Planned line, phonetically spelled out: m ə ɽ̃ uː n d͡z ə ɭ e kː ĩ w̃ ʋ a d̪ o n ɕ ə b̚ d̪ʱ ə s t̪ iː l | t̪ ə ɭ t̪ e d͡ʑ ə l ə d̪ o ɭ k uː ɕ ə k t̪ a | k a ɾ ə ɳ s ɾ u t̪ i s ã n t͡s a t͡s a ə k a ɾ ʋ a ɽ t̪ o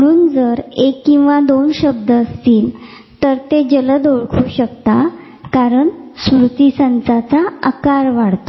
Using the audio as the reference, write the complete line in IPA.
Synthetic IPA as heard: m ə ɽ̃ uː n d͡z ə ɾ e kː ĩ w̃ ʋ a d̪ o n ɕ ə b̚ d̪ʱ ə s t̪ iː l | t̪ ə ɾ t̪ e d͡ʑ ə l ə d̪ o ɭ kʰ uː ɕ ə k t̪ a | k a ɾ ə ɳ s ɾ u t̪ i s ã n t͡s a t͡s a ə k a ɾ ʋ a ɽ t̪ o